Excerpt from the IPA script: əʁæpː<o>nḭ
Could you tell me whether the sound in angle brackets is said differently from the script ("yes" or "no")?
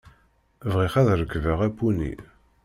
yes